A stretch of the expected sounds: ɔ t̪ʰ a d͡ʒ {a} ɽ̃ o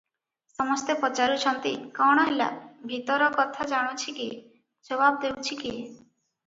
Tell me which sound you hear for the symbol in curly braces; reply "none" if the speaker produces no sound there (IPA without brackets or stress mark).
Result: a